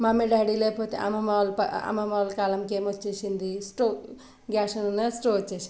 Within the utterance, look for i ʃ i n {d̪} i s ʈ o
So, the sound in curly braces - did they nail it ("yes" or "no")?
yes